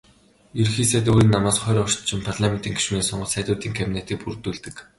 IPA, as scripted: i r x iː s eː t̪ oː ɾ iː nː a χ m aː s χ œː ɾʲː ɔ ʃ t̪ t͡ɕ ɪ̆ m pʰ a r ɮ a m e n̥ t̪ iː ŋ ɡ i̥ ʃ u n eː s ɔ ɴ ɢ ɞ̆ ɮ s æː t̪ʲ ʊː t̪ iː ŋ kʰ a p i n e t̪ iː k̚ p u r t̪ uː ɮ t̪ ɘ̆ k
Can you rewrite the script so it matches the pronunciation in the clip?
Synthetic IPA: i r x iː s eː t̪ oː ɾ iː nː a m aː s χ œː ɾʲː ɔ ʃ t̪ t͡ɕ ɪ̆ m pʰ a r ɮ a m e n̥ t̪ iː ŋ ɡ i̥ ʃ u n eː s ɔ ɴ ɢ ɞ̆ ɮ s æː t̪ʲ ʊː t̪ iː ŋ kʰ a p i n e t̪ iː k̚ p u r t̪ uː ɮ t̪ ɘ̆ k